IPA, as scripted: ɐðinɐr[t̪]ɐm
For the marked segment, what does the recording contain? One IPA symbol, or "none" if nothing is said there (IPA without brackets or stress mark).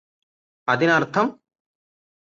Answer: t̪ʰ